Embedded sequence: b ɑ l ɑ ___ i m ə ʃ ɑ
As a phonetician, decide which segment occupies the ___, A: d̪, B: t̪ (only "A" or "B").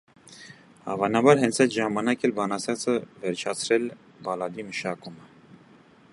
A